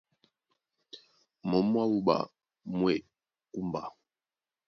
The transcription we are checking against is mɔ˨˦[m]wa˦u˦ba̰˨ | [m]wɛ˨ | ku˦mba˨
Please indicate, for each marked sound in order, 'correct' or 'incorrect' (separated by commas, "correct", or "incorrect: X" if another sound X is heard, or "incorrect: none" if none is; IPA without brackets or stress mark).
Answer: correct, correct